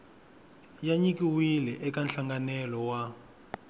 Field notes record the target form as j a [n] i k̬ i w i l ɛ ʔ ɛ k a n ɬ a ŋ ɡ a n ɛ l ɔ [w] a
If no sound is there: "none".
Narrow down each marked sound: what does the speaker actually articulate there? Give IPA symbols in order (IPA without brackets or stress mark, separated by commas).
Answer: ɲ, w